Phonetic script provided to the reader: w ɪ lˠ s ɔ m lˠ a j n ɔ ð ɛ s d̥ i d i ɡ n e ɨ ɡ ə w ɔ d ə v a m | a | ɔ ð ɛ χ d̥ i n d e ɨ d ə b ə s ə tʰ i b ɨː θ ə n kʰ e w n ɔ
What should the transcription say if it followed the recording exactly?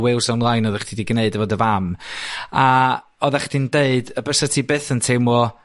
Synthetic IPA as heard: w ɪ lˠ s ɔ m lˠ a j n ɔ ð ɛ χ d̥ i d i ɡ n e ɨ d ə v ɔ d ə v a m | a | ɔ ð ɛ χ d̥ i n d e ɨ d ə b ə s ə tʰ i b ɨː θ ə n tʰ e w m ɔ